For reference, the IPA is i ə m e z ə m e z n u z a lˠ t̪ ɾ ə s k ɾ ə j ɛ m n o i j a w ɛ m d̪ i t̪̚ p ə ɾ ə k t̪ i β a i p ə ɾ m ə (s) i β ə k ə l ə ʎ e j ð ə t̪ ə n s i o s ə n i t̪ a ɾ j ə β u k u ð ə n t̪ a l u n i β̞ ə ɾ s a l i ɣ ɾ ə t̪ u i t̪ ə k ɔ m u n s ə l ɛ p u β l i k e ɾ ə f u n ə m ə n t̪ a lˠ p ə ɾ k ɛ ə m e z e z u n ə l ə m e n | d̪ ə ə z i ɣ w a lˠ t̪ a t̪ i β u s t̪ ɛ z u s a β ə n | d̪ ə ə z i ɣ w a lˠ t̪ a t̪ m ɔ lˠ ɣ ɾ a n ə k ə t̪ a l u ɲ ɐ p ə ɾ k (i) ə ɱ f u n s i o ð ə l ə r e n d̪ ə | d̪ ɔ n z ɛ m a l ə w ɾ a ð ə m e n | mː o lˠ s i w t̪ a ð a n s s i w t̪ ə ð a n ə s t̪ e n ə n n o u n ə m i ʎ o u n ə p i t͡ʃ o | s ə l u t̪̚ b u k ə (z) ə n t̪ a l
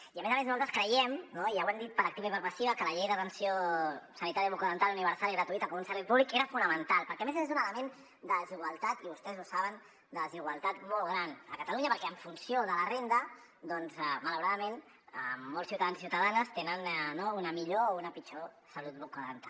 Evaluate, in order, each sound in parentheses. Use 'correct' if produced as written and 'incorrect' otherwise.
correct, incorrect, incorrect

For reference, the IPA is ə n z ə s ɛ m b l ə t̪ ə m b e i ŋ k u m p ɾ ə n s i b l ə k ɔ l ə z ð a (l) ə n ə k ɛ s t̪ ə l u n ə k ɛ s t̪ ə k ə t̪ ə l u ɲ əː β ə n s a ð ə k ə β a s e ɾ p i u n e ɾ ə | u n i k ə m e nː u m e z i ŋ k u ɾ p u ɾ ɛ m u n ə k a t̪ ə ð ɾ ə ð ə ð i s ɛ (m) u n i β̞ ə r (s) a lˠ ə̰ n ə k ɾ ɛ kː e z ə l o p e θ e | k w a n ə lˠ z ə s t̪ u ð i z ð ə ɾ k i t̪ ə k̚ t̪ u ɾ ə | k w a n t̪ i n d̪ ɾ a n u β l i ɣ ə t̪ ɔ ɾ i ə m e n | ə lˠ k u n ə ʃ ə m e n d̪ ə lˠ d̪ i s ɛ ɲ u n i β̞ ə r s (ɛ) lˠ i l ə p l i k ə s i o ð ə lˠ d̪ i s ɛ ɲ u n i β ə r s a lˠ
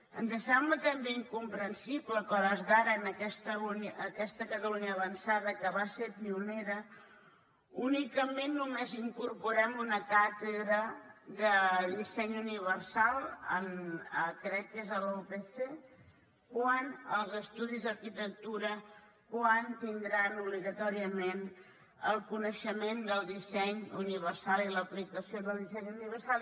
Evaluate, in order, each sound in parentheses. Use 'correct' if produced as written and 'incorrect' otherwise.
incorrect, incorrect, correct, incorrect

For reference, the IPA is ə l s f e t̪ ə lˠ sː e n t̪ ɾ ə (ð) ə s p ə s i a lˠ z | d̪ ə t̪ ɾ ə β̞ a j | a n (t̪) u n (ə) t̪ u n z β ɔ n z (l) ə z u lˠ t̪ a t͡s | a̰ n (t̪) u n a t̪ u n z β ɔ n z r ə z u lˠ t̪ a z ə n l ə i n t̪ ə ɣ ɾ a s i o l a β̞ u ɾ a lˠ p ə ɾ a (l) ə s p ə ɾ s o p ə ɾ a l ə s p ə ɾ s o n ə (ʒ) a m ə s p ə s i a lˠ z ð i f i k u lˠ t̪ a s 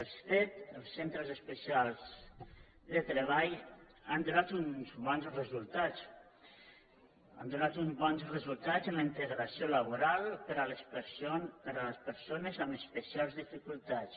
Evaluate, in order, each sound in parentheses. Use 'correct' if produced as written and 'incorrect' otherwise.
incorrect, incorrect, incorrect, incorrect, incorrect, correct, incorrect

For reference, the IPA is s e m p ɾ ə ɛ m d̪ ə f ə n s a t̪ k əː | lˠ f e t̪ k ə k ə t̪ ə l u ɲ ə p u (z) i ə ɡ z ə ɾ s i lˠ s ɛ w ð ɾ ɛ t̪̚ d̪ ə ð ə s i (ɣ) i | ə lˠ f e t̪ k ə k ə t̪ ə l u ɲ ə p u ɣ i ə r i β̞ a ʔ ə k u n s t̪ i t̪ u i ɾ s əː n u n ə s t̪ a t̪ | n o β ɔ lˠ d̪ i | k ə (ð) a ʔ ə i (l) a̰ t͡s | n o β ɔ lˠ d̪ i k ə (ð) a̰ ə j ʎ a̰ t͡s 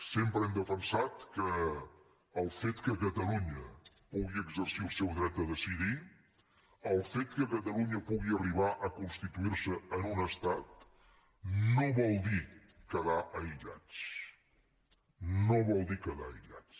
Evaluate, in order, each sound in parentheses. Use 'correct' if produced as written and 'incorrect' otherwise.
incorrect, incorrect, correct, incorrect, correct

